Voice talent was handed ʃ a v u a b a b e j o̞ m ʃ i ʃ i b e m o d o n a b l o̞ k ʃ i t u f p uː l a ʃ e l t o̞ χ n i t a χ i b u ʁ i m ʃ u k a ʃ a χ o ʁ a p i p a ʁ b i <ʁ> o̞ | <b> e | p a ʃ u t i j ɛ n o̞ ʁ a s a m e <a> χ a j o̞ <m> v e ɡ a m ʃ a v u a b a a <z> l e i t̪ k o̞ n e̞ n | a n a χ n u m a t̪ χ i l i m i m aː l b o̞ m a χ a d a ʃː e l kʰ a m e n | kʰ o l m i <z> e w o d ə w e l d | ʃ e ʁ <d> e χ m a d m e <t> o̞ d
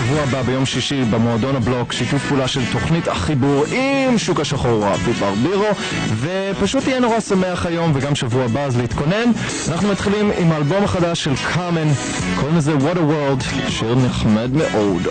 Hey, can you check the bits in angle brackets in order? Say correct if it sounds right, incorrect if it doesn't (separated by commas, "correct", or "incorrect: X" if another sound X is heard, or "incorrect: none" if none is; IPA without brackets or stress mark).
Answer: correct, incorrect: v, correct, correct, correct, correct, incorrect: n, incorrect: ʔ